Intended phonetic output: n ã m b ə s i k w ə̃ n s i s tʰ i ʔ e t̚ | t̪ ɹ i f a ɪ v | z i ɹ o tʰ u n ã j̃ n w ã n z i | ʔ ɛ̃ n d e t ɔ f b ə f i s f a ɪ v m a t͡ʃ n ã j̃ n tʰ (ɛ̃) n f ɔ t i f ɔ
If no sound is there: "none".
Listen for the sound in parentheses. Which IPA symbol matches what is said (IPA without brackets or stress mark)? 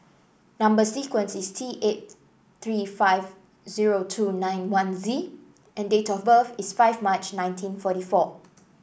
ĩ